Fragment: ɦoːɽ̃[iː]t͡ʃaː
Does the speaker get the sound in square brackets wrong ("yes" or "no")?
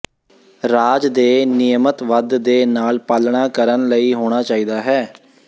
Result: yes